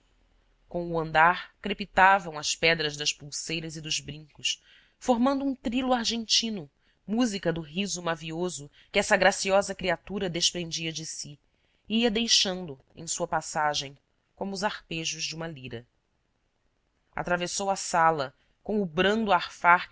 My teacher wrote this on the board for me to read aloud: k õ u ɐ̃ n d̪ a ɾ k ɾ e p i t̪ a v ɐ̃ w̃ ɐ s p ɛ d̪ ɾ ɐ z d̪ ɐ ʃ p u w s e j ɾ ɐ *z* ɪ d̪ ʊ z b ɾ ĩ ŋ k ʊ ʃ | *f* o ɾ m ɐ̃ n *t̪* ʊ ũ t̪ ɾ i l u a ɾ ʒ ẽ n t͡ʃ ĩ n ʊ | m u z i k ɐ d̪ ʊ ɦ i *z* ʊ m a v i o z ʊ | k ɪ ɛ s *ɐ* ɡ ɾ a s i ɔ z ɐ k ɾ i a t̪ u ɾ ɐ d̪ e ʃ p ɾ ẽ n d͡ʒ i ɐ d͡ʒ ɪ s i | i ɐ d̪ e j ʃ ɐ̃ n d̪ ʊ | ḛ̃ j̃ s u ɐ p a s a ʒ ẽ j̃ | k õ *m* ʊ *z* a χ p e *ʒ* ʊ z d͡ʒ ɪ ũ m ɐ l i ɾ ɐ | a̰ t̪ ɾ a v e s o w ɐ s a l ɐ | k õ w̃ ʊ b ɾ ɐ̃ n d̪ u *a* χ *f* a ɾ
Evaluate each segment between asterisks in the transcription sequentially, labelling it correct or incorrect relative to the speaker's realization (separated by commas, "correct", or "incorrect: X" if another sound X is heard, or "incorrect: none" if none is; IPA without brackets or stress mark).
correct, correct, incorrect: d̪, correct, correct, correct, correct, correct, correct, correct